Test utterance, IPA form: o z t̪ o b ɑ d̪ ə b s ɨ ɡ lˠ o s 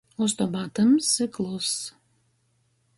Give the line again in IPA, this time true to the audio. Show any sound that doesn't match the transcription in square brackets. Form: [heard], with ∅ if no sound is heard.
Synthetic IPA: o [s] t̪ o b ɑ [t̪] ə [m] s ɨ [k] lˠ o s